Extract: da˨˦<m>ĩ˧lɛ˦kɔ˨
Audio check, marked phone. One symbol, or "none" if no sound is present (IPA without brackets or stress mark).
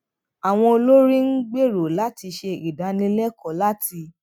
n